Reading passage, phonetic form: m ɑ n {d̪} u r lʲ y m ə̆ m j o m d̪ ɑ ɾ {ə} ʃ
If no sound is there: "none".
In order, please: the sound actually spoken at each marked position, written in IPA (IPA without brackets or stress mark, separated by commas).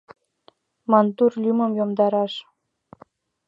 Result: t̪, ɑ